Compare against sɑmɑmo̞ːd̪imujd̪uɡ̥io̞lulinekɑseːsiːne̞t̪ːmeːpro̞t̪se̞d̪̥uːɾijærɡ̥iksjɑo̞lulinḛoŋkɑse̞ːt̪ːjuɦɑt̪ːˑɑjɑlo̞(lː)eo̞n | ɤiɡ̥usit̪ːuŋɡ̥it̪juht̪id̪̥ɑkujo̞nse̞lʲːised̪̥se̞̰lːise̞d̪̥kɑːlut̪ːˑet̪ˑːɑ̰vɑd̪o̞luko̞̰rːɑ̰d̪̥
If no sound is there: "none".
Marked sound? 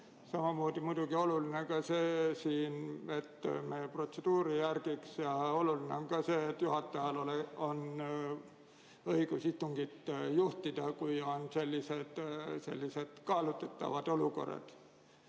l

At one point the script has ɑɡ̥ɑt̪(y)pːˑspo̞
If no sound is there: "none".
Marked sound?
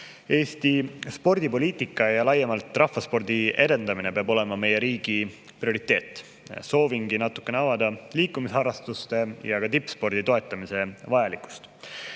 i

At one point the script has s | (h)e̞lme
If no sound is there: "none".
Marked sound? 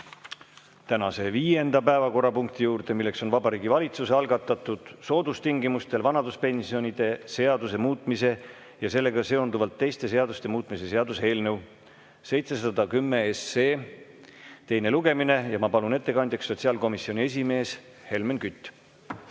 h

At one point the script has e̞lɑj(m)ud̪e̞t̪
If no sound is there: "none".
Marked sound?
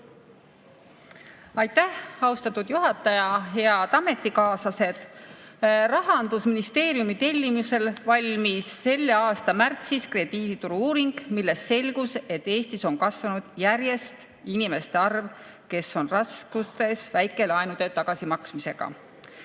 n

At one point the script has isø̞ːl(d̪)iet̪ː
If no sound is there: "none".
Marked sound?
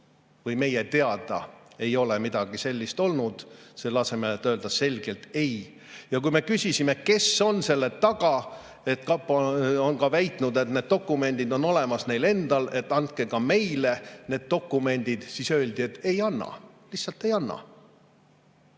d̪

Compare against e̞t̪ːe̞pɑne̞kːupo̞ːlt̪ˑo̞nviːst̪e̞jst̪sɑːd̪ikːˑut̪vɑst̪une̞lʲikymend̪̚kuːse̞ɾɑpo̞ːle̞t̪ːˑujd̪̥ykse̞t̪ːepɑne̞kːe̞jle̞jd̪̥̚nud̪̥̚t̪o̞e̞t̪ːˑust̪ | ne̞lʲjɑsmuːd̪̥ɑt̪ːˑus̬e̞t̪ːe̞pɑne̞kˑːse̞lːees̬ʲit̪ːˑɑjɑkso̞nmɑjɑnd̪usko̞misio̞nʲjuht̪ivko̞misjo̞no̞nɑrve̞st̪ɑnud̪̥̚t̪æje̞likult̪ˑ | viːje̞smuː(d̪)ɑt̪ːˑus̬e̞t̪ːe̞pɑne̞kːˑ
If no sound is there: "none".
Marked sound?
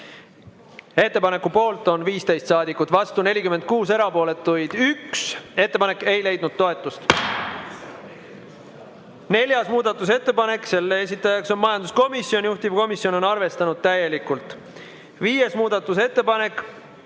d̪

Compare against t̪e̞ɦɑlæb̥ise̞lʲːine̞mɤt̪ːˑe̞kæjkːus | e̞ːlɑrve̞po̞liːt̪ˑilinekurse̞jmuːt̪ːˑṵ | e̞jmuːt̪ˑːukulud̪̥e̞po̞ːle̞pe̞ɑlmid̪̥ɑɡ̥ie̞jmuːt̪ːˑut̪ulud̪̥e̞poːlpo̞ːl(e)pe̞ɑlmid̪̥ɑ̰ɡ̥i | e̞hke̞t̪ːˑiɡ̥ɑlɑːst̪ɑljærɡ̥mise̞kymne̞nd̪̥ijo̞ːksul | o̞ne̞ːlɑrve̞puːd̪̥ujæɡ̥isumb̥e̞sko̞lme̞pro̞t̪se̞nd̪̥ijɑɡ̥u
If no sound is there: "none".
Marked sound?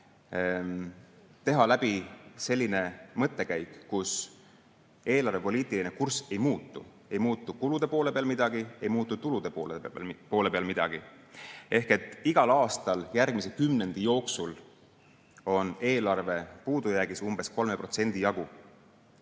e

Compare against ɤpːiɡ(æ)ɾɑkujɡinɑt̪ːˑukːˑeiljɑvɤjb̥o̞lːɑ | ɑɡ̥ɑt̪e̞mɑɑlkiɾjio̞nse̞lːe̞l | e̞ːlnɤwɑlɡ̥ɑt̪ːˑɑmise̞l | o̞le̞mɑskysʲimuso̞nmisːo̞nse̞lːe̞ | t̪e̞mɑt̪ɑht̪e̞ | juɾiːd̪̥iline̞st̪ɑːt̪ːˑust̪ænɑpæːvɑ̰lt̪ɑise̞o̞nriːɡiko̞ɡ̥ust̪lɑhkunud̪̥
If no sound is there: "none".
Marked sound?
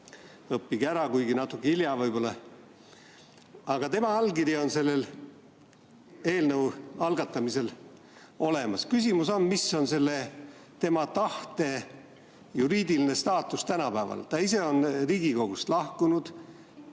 æ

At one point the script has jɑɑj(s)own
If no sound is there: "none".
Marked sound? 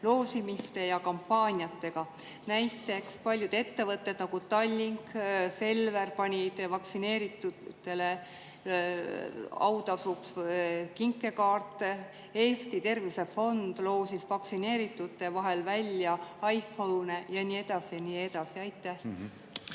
f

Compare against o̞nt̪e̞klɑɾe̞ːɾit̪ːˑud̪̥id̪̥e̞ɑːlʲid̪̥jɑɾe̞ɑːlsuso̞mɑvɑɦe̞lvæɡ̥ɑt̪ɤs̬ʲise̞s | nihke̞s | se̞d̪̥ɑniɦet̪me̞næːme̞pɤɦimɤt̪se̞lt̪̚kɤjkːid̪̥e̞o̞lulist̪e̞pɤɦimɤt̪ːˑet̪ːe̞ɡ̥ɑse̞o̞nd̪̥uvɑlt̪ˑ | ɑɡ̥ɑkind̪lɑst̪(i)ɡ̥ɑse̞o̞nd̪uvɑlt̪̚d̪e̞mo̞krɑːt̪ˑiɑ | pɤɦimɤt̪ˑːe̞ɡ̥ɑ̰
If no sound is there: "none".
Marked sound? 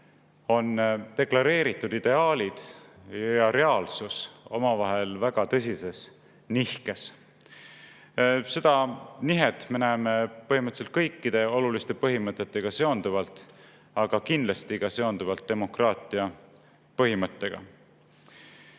i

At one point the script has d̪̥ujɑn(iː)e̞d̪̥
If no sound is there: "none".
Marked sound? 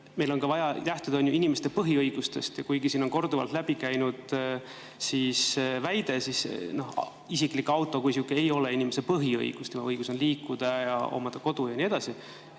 i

